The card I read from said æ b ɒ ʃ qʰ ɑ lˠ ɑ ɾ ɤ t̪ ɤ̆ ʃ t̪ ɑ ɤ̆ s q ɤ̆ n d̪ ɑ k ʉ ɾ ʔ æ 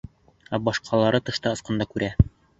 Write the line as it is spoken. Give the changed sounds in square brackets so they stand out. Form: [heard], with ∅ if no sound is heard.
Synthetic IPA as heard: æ b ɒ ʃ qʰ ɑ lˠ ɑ ɾ ɤ t̪ ɤ̆ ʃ t̪ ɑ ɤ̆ s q ɤ̆ n d̪ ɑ k ʉ ɾ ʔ æ